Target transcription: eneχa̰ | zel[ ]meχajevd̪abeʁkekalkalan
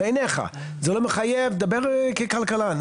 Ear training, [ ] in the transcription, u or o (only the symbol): o